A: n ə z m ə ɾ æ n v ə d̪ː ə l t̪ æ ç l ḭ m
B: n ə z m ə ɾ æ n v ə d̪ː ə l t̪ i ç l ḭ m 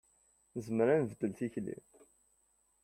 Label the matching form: B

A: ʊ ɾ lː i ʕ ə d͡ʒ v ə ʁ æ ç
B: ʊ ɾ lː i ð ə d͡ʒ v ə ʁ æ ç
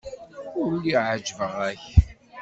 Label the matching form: A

